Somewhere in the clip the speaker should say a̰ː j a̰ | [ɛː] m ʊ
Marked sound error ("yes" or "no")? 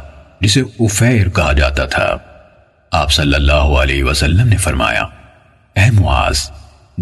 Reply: no